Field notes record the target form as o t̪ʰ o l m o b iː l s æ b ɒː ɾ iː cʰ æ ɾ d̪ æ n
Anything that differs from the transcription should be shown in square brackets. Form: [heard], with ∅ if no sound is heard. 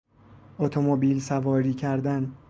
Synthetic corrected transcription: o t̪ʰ o [∅] m o b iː l s æ [v] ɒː ɾ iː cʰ æ ɾ d̪ æ n